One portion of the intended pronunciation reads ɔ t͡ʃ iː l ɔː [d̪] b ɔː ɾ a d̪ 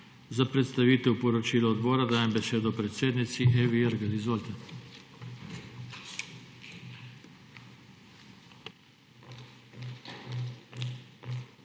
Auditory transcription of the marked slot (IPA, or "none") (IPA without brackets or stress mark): d̪